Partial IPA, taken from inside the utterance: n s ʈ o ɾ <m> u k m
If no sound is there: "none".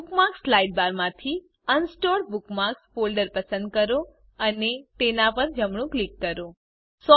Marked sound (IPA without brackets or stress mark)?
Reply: b